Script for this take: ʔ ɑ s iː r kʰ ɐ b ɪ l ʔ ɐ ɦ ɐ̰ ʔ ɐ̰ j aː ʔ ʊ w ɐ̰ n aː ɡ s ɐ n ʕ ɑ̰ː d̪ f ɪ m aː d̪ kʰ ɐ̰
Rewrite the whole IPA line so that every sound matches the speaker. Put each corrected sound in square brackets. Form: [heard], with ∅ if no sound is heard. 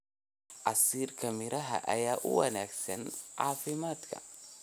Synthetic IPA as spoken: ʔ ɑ s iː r kʰ ɐ [m] ɪ [ɾ] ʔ ɐ ɦ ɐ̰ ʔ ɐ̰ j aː ʔ ʊ w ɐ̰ n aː ɡ s ɐ n ʕ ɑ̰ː [∅] f ɪ m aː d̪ kʰ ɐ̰

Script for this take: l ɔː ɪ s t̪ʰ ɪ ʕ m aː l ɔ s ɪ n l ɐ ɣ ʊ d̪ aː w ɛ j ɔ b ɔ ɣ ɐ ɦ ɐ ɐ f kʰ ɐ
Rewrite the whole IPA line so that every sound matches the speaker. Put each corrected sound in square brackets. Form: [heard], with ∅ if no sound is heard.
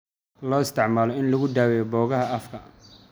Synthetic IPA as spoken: l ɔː ɪ s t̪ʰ ɪ ʕ m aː l ɔ [∅] ɪ n l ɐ ɣ ʊ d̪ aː w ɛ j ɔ b [ɔː] ɣ ɐ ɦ ɐ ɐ f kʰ ɐ

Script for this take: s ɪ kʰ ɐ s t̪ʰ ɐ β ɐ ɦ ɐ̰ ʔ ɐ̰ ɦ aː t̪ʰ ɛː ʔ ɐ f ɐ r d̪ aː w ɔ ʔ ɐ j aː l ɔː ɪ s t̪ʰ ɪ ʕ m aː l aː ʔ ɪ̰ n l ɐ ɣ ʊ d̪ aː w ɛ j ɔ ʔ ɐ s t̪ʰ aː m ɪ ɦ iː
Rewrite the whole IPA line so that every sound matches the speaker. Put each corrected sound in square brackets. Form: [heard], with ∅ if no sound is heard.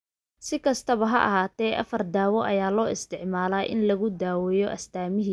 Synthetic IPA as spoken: s ɪ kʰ ɐ s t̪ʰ ɐ β ɐ ɦ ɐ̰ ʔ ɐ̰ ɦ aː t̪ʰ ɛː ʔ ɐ f ɐ r d̪ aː w ɔ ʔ ɐ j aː l ɔː ɪ s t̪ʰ ɪ ʕ m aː l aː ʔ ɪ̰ n l ɐ ɣ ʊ d̪ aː w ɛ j ɔ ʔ ɐ s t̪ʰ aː m ɪ ɦ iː

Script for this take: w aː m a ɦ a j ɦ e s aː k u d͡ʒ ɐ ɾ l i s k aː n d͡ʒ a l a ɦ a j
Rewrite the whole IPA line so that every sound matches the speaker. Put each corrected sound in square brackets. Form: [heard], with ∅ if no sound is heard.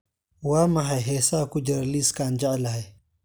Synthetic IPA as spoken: w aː m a ɦ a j ɦ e s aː k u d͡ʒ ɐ ɾ l i s k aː n d͡ʒ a l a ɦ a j

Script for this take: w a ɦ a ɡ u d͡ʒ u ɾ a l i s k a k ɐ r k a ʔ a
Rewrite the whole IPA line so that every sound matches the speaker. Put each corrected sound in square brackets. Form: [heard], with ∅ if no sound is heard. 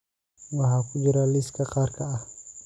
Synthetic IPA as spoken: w a ɦ a [k] u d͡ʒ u ɾ a l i s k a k [a] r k a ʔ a

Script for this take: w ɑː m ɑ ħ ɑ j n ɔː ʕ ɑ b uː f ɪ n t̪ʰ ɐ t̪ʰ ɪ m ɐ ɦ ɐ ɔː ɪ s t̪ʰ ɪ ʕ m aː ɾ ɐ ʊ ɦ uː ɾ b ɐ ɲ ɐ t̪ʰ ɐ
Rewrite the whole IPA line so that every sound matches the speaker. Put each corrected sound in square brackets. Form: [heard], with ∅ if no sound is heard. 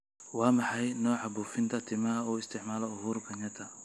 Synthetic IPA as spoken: w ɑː m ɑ ħ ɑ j n ɔː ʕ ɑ b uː f ɪ n t̪ʰ ɐ t̪ʰ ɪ m ɐ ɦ ɐ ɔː ɪ s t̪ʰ ɪ ʕ m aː [l] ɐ ʊ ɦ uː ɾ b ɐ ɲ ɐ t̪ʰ ɐ

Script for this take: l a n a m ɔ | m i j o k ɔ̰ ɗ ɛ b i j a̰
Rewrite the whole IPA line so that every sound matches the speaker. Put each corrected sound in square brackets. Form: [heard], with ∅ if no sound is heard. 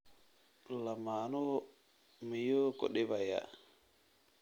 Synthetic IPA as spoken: l a [m] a [n] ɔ | m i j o k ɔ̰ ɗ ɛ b [a] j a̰

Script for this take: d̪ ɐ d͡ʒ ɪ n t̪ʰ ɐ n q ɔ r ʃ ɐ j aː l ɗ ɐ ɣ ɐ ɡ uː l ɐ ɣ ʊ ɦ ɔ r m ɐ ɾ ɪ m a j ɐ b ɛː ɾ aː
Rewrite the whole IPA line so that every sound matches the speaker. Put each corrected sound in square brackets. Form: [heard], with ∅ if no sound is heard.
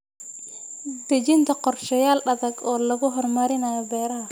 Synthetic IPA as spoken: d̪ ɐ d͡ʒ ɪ n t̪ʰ ɐ [∅] q ɔ r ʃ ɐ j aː l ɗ ɐ [ð] ɐ ɡ [ɔː] l ɐ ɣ ʊ ɦ ɔ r m ɐ ɾ ɪ [n] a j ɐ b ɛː ɾ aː

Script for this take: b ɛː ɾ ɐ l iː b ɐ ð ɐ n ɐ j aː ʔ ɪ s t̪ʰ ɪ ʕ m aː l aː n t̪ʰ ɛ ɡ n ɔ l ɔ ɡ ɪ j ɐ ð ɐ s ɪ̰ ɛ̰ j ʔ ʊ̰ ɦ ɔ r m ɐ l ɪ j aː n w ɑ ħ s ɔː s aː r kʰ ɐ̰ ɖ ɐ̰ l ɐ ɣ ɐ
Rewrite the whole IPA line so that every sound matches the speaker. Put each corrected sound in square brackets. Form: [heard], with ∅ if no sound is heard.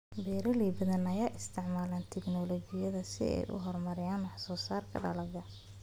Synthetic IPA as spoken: b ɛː ɾ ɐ l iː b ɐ ð ɐ n ɐ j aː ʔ ɪ s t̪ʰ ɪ ʕ m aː l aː n t̪ʰ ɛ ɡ n ɔ l ɔ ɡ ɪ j ɐ ð ɐ s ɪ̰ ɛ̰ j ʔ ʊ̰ ɦ ɔ r m ɐ [ɾ] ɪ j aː n w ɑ ħ s ɔː s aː r kʰ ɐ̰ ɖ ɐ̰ l ɐ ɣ ɐ

